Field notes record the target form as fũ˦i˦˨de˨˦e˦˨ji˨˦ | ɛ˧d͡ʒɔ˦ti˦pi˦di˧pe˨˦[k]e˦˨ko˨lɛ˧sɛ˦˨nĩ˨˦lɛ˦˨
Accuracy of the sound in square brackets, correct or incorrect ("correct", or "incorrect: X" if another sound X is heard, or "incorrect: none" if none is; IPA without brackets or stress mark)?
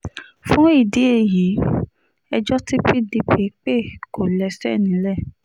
incorrect: k͡p